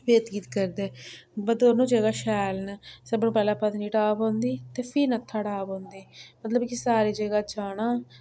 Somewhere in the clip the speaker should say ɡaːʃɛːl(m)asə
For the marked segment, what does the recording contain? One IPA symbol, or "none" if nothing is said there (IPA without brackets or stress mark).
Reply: n